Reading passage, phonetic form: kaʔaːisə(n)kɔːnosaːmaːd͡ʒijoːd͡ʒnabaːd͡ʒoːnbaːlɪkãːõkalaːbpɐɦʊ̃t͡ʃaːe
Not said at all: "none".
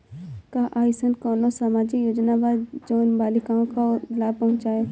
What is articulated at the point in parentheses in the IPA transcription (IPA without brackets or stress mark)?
n